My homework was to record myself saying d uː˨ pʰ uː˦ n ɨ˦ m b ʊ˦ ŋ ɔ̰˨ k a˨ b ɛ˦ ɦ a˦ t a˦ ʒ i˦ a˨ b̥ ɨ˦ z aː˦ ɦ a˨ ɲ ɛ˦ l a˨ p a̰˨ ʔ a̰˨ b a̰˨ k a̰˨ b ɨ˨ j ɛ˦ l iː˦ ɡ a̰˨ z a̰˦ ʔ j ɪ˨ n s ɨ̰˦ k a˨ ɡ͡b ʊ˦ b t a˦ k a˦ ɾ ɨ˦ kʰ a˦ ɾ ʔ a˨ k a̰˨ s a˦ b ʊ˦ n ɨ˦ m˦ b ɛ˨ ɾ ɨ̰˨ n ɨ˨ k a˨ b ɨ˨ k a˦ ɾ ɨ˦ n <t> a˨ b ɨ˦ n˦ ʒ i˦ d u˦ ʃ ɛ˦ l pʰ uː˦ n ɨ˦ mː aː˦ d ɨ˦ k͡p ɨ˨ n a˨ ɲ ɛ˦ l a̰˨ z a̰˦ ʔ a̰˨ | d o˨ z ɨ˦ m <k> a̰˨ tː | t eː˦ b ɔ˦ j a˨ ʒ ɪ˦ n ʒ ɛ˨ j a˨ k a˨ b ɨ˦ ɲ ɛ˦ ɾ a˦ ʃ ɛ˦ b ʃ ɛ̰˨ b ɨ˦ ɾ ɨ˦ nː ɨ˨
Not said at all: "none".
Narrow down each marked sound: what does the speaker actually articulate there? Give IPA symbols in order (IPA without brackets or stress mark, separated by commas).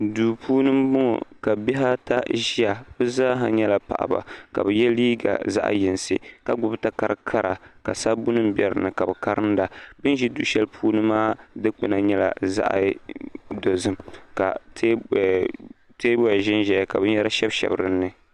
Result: d, k